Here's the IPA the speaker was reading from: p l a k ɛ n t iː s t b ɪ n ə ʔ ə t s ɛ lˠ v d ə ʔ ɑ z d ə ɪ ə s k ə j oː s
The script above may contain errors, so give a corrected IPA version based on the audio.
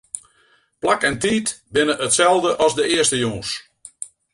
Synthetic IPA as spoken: p l a k ɛ n t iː t b ɪ n ə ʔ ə t s ɛ lˠ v d ə ʔ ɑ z d ə ɪ ə s t ə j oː s